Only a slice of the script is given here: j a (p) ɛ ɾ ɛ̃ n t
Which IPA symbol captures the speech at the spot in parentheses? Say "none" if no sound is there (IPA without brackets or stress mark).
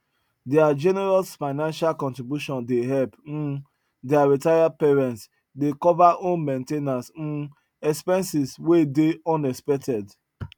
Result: p